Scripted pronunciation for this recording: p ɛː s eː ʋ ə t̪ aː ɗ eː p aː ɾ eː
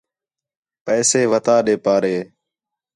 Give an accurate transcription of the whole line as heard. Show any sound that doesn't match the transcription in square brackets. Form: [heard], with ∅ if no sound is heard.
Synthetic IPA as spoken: p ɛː s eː ʋ ə t̪ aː ɗ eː p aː ɾ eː